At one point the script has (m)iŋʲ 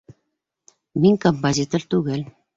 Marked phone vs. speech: correct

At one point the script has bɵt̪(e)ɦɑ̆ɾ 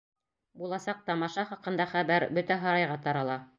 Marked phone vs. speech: incorrect: æ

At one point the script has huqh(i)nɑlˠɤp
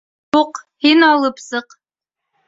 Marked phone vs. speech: correct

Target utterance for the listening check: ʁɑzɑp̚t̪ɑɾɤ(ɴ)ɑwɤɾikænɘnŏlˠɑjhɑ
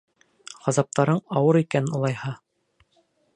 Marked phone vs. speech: correct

